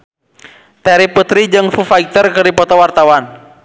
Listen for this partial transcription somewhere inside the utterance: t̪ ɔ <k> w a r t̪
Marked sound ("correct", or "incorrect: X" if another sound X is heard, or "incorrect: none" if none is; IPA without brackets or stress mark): incorrect: none